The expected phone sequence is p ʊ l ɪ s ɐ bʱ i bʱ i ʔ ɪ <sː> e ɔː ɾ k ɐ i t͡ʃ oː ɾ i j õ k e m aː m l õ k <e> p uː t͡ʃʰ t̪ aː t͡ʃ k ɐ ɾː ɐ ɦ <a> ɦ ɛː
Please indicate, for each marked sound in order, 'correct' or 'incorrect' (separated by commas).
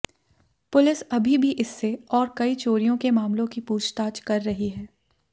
correct, incorrect, incorrect